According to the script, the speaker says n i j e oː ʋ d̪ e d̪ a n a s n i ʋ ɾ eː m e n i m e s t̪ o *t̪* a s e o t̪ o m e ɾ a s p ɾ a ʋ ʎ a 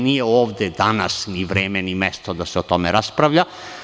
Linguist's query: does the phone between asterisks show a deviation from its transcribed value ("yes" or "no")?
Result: yes